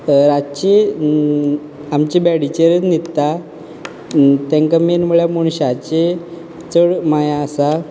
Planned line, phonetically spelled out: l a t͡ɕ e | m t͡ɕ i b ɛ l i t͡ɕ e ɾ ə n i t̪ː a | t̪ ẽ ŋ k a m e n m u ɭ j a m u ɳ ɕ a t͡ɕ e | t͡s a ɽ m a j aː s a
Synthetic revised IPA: ɾ a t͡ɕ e | m t͡ɕ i b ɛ ɽ i t͡ɕ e ɾ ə n i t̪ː a | t̪ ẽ ŋ k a m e n m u ɭ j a m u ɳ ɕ a t͡ɕ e | t͡s ə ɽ m a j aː s a

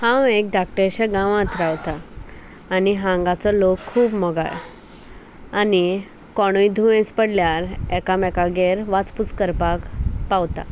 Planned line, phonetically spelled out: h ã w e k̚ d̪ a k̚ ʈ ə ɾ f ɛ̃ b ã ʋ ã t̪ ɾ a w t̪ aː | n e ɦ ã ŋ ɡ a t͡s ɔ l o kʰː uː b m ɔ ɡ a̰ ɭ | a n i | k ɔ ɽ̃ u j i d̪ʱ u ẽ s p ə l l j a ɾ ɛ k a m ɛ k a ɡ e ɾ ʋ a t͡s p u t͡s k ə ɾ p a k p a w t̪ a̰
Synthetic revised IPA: h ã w e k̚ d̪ a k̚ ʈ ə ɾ ɕ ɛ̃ ɡ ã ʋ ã t̪ ɾ a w t̪ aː | n i ɦ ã ŋ ɡ a t͡s ɔ l o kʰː uː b m ɔ ɡ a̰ ɭ | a n i | k ɔ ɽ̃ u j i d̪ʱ u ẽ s p ə ɽ l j a ɾ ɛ k a m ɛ k a ɡ e ɾ ʋ a t͡s p u t͡s k ə ɾ p a k p a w t̪ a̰

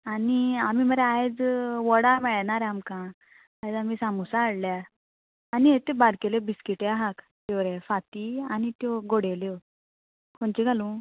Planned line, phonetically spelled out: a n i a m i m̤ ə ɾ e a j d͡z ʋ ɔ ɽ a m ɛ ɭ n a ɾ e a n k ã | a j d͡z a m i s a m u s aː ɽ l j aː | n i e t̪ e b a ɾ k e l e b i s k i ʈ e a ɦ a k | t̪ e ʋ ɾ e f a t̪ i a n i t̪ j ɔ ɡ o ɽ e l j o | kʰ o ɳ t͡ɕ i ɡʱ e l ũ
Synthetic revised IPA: a n i a m i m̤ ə ɾ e a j d͡z ʋ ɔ ɽ a m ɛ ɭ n a ɾ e a m k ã | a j d͡z a m i s a m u s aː ɽ l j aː | n i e t̪ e b a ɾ k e l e b i s k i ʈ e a ɦ a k | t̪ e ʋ ɾ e f a t̪ i a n i t̪ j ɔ ɡ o ɽ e l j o | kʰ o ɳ t͡ɕ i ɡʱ a l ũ

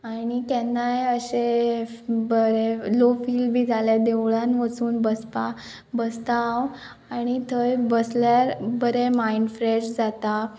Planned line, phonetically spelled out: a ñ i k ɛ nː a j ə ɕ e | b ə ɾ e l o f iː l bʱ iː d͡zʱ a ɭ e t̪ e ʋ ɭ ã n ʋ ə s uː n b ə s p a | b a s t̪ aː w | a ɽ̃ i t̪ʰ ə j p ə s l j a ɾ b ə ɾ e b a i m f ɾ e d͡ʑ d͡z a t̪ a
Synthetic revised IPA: a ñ i k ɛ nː a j ə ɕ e | b ə ɾ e l o f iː l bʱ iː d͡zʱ a l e d̪ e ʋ ɭ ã n ʋ ə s uː n b ə s p a | b ə s t̪ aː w | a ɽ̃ i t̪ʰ ə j b ə s l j a ɾ b ə ɾ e m a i n f ɾ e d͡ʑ d͡z a t̪ a

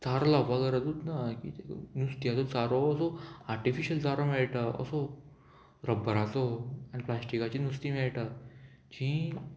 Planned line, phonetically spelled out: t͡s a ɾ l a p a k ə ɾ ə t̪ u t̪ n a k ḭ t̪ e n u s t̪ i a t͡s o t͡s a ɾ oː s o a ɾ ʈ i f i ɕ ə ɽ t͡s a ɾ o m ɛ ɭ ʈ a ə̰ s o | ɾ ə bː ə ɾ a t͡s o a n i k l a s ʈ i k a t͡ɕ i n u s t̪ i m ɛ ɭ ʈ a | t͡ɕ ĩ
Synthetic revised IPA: t͡s a ɾ l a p a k ə ɾ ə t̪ u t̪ n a k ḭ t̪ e n u s t̪ i a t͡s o t͡s a ɾ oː s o a ɾ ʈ i f i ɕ ə l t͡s a ɾ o m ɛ ɭ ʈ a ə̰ s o | ɾ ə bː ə ɾ a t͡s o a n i p l a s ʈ i k a t͡ɕ i n u s t̪ i m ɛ ɭ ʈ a | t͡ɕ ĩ

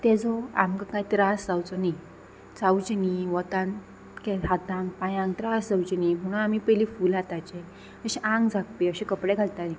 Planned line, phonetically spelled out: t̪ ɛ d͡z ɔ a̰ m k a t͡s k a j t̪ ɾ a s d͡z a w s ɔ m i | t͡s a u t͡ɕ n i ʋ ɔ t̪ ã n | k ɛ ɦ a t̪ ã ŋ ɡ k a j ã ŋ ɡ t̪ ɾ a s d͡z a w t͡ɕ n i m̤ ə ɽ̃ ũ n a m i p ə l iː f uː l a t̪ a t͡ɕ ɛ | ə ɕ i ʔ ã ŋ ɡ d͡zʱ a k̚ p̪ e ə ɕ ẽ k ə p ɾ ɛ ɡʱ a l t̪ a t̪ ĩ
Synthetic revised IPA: t̪ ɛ d͡z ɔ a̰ m k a k a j t̪ ɾ a s d͡z a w t͡s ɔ n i | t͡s a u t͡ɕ n i ʋ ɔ t̪ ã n | k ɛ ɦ a t̪ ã ŋ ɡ p a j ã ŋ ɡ t̪ ɾ a s d͡z a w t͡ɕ n i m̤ ə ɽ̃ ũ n a m i p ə l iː f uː l a t̪ a t͡ɕ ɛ | ə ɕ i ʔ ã ŋ ɡ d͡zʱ a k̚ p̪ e ə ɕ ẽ k ə p ɽ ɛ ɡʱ a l t̪ a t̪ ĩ

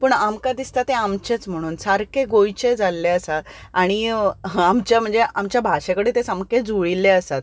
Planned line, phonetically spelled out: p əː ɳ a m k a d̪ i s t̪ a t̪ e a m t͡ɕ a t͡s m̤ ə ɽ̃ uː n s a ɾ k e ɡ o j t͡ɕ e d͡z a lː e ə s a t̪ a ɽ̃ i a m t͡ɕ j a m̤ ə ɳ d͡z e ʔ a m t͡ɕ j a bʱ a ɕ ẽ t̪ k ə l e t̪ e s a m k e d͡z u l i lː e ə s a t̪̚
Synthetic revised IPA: p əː ɳ a m k a d̪ i s t̪ a t̪ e a m t͡ɕ e t͡s m̤ ə ɽ̃ uː n s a ɾ k e ɡ o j t͡ɕ e d͡z a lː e ə s a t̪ a ɽ̃ i a m t͡ɕ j a m̤ ə ɳ d͡z e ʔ a m t͡ɕ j a bʱ a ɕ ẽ k ə ɽ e t̪ e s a m k e d͡z u ɭ i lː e ə s a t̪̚

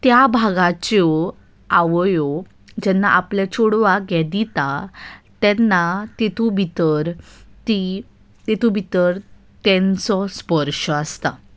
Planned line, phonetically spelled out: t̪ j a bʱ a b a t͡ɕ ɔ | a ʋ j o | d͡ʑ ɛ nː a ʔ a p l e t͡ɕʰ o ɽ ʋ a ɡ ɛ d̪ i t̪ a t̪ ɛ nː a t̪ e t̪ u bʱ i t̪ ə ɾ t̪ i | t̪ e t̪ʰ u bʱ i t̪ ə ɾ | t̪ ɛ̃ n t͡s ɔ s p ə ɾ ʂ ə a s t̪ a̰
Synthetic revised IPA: t̪ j a bʱ a ɡ a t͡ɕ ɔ | a ʋ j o | d͡ʑ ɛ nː a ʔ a p l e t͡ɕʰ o ɽ ʋ a ɡ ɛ d̪ i t̪ a t̪ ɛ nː a t̪ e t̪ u bʱ i t̪ ə ɾ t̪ i | t̪ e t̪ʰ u bʱ i t̪ ə ɾ | t̪ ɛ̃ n t͡s ɔ s p ə ɾ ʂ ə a s t̪ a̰

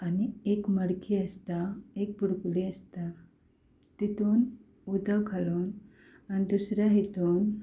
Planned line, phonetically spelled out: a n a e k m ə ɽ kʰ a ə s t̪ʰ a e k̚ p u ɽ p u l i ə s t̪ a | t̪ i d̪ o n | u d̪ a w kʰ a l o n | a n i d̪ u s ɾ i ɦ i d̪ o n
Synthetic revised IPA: a n i e k m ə ɽ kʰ i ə s t̪ a e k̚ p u ɽ k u l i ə s t̪ a | t̪ i t̪ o n | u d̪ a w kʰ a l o n | a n i d̪ u s ɾ a ɦ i t̪ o n

